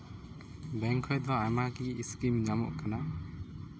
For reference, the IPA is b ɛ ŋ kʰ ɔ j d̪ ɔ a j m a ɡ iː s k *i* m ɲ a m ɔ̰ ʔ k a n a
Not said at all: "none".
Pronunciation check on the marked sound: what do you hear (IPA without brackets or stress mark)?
i